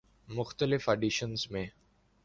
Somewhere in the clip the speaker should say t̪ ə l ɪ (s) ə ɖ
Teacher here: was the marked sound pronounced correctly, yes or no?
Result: no